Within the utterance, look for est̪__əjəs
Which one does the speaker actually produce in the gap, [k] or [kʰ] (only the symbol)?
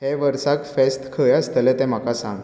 kʰ